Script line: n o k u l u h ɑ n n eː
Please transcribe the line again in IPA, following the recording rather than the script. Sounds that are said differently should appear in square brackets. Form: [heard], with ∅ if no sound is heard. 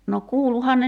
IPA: n o k [uː] l u h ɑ n n [e]